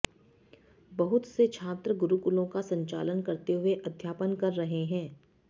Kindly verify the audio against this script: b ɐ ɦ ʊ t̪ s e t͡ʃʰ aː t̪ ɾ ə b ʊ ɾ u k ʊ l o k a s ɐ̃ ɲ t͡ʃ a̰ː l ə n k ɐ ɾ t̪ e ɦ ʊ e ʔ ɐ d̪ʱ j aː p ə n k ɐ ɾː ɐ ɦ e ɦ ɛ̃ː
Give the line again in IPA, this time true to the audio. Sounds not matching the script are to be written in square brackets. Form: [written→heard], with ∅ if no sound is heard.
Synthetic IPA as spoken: b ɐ ɦ ʊ t̪ s e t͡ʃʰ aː t̪ ɾ ə [b→ɡ] ʊ ɾ u k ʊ l [o→õ] k a s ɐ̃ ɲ t͡ʃ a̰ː l ə n k ɐ ɾ t̪ e ɦ ʊ e ʔ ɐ d̪ʱ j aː p ə n k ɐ ɾː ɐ ɦ e ɦ ɛ̃ː